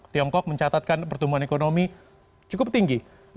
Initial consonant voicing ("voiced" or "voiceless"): voiceless